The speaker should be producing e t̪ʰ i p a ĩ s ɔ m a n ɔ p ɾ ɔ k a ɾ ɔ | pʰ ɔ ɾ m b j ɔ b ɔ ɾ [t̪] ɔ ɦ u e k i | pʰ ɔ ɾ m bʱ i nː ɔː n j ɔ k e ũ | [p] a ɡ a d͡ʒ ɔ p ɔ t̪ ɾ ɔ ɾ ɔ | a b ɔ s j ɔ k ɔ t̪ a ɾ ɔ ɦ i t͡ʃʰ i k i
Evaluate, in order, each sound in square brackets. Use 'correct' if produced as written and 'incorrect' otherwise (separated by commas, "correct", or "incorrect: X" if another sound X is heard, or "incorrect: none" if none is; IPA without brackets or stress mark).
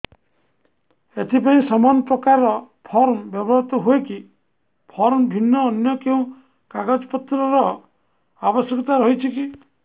correct, incorrect: k